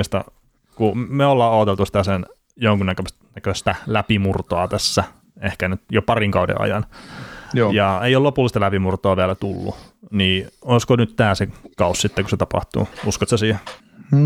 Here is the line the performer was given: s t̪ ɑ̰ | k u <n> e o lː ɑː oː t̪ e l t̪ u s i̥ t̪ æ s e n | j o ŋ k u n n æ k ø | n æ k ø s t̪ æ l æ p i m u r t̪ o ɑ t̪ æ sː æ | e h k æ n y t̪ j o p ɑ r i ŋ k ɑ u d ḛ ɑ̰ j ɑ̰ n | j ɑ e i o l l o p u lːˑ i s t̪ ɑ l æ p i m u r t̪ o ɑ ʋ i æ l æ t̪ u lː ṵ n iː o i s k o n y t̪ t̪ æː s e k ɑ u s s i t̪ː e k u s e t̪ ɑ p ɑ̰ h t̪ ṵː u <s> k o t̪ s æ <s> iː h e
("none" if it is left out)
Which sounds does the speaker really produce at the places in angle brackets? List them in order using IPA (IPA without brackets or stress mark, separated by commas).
m, s, s